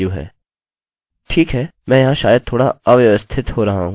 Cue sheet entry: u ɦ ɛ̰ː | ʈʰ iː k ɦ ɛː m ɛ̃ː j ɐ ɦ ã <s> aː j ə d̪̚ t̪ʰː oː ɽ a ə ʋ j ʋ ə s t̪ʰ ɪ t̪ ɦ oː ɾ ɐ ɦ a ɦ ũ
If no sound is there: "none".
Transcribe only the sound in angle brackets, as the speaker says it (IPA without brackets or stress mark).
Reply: ʃ